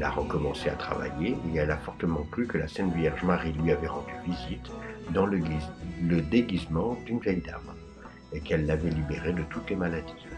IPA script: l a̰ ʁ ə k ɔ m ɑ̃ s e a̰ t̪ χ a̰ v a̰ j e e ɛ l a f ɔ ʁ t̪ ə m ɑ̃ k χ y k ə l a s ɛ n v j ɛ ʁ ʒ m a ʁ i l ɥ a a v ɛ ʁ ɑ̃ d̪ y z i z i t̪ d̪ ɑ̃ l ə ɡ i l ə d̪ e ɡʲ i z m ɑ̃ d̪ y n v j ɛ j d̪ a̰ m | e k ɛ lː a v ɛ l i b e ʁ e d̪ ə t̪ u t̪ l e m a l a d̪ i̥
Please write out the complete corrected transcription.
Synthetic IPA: l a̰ ʁ ə k ɔ m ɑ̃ s e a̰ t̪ χ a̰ v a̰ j e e ɛ l a f ɔ ʁ t̪ ə m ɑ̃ k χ y k ə l a s ɛ n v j ɛ ʁ ʒ m a ʁ i l ɥ i a v ɛ ʁ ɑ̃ d̪ y v i z i t̪ d̪ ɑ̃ l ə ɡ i l ə d̪ e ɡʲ i z m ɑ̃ d̪ y n v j ɛ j d̪ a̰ m | e k ɛ lː a v ɛ l i b e ʁ e d̪ ə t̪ u t̪ l e m a l a d̪ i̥